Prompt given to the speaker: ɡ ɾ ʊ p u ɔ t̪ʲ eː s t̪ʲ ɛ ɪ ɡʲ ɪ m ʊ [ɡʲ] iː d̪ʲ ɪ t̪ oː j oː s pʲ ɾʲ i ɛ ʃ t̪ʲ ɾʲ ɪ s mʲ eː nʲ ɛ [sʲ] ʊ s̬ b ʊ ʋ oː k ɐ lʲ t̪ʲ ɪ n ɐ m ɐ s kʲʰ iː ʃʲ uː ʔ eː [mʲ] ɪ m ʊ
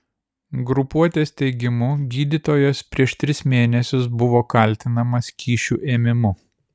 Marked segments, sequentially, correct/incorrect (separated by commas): correct, correct, correct